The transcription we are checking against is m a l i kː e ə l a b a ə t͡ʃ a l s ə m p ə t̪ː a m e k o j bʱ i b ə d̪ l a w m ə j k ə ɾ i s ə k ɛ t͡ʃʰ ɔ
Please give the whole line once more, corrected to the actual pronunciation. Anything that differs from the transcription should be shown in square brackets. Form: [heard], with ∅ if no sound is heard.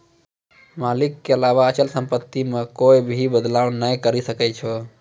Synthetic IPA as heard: m a l i kː e ə l a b a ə t͡ʃ [ə] l s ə m p ə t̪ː [i] m e k o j bʱ i b ə d̪ l a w [n] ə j k ə ɾ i s ə k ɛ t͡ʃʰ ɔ